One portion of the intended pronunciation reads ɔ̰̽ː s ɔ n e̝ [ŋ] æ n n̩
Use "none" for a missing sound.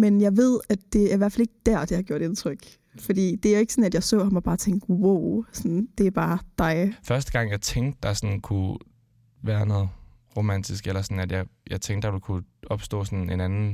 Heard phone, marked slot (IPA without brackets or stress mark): n